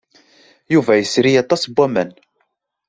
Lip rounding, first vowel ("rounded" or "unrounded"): rounded